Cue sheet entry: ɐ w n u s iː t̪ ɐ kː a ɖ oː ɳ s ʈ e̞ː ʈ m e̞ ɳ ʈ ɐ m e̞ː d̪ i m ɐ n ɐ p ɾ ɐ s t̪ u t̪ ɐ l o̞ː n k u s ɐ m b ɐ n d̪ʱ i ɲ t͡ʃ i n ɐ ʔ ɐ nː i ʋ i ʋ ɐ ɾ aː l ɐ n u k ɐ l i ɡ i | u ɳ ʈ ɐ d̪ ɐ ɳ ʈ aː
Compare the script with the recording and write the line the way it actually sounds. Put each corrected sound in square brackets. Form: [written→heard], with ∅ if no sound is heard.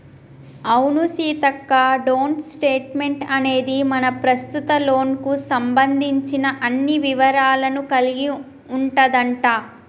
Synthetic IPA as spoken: ɐ w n u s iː t̪ ɐ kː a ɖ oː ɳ s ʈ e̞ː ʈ m e̞ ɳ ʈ ɐ [m→n] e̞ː d̪ i m ɐ n ɐ p ɾ ɐ s t̪ u t̪ ɐ l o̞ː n k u s ɐ m b ɐ n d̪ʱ i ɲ t͡ʃ i n ɐ ʔ ɐ nː i ʋ i ʋ ɐ ɾ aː l ɐ n u k ɐ l i ɡ i | u ɳ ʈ ɐ d̪ ɐ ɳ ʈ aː